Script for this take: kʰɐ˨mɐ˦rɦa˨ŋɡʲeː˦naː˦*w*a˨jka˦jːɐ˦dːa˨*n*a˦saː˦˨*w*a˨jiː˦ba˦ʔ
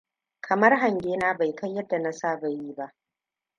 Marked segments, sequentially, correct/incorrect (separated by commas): incorrect, correct, incorrect